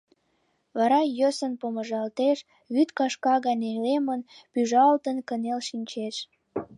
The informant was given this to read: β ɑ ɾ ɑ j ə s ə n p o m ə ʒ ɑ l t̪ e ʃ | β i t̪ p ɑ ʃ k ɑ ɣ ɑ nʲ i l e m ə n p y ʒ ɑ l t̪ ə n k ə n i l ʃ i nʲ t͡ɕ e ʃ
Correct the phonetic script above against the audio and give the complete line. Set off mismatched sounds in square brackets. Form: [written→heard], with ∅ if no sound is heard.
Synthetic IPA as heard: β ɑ ɾ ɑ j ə s ə n p o m ə ʒ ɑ l t̪ e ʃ | β [i→y] t̪ [p→k] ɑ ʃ k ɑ ɣ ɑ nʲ [i→e] l e m ə n p y ʒ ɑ l t̪ ə n k ə n [i→e] l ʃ i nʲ t͡ɕ e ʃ

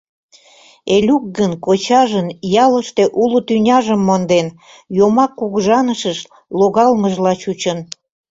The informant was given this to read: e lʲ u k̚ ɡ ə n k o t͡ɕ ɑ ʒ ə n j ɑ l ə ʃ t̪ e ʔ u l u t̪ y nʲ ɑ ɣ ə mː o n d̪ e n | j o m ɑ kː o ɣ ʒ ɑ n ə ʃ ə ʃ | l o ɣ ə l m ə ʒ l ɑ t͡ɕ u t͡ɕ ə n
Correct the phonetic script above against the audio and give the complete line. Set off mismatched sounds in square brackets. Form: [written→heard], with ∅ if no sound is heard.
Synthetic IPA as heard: e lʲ u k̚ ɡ ə n k o t͡ɕ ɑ ʒ ə n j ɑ l ə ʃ t̪ e ʔ u l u t̪ y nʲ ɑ [ɣ→ʒ] ə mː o n d̪ e n | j o m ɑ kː [o→u] ɣ ʒ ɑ n ə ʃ ə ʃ | l o ɣ [ə→ɑ] l m ə ʒ l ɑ t͡ɕ u t͡ɕ ə n

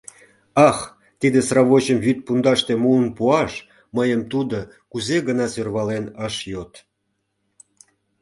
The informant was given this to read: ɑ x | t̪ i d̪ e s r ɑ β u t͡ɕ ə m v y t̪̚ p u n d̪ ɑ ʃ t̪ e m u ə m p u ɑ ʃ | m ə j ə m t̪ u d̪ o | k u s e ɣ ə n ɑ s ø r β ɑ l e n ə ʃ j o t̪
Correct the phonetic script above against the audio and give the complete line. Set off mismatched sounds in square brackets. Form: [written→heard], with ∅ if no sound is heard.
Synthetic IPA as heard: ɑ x | t̪ i d̪ e s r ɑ β [u→o] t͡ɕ ə m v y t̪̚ p u n d̪ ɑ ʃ t̪ e m u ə [m→n] p u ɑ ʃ | m ə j ə m t̪ u d̪ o | k u [s→z] e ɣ ə n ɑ s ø r β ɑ l e n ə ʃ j o t̪

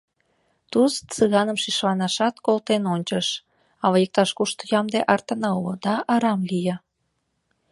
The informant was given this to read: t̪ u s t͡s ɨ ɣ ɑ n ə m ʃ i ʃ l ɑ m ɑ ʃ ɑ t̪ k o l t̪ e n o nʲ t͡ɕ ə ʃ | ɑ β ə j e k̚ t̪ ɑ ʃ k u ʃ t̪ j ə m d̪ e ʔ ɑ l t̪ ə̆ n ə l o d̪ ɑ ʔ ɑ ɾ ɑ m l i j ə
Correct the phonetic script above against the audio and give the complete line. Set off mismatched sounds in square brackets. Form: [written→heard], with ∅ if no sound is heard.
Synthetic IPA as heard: t̪ u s t͡s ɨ ɣ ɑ n ə m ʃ i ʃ l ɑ [m→n] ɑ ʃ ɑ t̪ k o l t̪ e n o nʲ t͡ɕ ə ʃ | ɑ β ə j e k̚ t̪ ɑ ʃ k u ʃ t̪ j [ə→ɑ] m d̪ e ʔ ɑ [l→r] t̪ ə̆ n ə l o d̪ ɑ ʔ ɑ ɾ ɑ m l i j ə

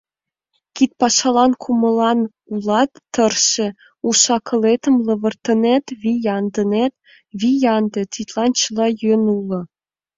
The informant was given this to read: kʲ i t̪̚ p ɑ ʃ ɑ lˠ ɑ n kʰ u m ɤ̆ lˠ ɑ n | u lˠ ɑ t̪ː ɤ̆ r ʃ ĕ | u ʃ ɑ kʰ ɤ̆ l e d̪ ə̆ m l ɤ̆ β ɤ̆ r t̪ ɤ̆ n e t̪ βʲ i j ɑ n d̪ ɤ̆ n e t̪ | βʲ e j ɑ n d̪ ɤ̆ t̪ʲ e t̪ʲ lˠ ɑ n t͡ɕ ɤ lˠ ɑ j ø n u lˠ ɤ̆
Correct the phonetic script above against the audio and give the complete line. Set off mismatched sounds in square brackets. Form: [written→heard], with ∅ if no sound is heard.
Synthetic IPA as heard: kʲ i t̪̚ p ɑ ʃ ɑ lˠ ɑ n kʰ u m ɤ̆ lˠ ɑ n | u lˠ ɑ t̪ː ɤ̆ r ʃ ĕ | u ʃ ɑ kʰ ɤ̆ l e [d̪→t̪] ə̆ m l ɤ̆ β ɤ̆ r t̪ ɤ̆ n e t̪ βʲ i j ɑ n d̪ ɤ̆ n e t̪ | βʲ [e→i] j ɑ n d̪ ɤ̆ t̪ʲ [e→i] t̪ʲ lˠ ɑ n t͡ɕ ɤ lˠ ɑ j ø n u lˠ ɤ̆

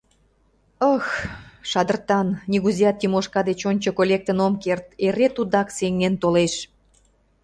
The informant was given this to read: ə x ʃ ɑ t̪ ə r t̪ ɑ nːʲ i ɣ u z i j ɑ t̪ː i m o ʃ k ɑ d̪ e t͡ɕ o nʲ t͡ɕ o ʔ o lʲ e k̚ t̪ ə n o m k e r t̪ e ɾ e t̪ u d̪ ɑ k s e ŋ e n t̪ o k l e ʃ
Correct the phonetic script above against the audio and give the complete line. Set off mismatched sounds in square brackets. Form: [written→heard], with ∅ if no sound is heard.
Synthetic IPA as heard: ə x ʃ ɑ [t̪→d̪] ə r t̪ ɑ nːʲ i ɣ u z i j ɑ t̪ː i m o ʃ k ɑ d̪ e t͡ɕ o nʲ t͡ɕ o [ʔ→k] o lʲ e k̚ t̪ ə n o m k e r t̪ e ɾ e t̪ u d̪ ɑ k s e ŋ e n t̪ o [k→∅] l e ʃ

